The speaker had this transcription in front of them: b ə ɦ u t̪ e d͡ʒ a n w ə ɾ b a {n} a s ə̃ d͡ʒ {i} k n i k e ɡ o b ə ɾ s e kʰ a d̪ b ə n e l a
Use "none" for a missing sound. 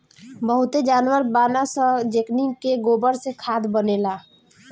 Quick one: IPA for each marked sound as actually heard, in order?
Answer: n, e

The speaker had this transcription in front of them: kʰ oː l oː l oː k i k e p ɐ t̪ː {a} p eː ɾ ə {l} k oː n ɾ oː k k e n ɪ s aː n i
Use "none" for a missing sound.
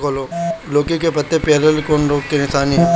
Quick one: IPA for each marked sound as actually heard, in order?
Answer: e, l

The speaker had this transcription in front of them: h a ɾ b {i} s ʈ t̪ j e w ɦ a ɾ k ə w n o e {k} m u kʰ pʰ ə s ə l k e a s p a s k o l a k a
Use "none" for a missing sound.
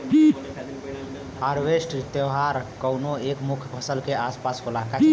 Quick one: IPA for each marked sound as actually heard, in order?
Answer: e, k

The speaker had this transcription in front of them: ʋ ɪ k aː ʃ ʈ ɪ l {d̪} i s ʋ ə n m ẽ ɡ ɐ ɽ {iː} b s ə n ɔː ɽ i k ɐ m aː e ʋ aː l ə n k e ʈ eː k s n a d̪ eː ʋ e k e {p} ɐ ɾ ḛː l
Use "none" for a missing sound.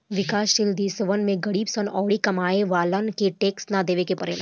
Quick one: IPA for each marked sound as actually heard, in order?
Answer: d̪, iː, p

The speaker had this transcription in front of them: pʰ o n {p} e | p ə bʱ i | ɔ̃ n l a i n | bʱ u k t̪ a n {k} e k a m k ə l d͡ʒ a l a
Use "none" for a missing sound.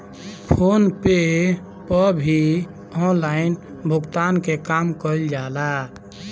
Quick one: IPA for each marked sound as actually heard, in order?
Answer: p, k

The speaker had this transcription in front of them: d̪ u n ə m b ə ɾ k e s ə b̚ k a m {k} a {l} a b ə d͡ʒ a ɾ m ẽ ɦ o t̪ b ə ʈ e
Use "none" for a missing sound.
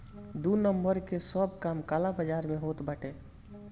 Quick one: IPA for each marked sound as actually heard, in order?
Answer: k, l

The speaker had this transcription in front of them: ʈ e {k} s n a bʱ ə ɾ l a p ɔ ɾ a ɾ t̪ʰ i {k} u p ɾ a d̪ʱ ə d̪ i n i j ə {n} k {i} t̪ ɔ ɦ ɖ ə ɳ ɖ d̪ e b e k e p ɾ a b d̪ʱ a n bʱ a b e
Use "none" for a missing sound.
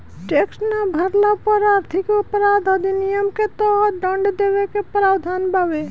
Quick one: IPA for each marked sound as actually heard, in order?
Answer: k, k, m, e

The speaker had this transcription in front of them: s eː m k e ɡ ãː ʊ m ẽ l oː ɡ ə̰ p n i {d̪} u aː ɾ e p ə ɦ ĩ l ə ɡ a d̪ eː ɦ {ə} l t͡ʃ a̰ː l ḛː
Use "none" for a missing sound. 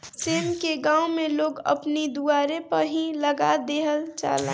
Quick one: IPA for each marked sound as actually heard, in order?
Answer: d̪, ə

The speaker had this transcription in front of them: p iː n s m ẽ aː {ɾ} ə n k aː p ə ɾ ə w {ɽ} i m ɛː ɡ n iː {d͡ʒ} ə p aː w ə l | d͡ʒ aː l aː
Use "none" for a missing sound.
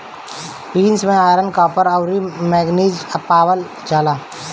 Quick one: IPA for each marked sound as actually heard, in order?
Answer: ɾ, ɾ, d͡ʒ

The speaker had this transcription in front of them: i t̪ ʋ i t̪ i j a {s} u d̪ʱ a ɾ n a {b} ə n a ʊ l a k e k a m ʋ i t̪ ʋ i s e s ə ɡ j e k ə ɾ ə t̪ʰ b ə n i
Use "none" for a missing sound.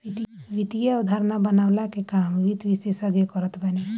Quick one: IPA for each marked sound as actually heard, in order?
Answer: none, b

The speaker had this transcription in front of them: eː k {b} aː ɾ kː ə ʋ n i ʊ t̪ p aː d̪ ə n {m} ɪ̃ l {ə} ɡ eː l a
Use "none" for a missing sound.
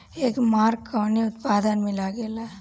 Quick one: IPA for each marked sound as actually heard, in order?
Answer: m, m, a

